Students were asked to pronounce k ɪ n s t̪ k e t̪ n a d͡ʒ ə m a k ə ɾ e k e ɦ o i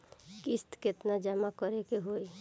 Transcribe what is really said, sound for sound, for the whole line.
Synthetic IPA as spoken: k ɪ s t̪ k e t̪ n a d͡ʒ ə m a k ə ɾ e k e ɦ o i